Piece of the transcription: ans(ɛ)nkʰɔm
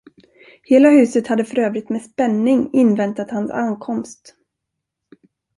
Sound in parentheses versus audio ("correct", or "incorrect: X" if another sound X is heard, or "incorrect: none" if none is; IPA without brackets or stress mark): incorrect: a